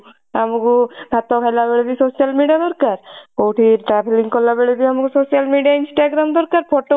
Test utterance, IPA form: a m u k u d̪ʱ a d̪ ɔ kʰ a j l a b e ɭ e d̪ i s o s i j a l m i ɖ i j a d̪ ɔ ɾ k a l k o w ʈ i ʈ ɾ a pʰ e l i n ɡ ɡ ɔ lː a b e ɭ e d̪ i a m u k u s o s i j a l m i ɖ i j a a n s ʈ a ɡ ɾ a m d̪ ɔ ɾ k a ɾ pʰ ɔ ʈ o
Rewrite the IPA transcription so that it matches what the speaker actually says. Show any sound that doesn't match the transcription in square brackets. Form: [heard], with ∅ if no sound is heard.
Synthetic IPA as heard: a m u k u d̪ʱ a [t̪] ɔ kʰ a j l a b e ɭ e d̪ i s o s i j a l m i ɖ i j a d̪ ɔ ɾ k a [ɾ] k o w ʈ i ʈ ɾ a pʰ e l i [ŋ] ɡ [k] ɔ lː a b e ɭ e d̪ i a m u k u s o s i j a l m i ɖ i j a [i] n s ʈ a ɡ ɾ a m d̪ ɔ ɾ k a ɾ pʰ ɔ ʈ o